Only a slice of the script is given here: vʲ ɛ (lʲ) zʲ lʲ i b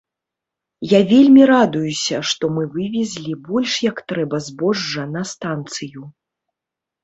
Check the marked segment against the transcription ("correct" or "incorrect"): incorrect